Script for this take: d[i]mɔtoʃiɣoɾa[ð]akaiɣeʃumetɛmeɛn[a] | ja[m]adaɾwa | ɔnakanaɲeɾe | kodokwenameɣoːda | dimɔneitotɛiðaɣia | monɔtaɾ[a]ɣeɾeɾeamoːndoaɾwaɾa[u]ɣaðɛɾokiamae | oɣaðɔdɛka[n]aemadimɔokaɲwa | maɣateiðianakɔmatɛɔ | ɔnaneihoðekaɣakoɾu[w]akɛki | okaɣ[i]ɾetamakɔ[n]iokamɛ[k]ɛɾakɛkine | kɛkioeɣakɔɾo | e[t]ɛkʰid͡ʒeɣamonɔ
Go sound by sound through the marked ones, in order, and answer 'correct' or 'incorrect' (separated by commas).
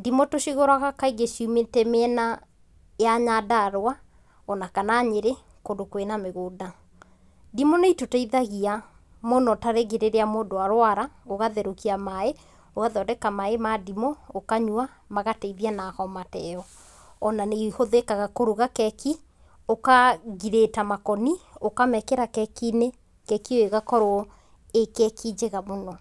correct, incorrect, correct, incorrect, incorrect, incorrect, incorrect, incorrect, correct, correct, correct, incorrect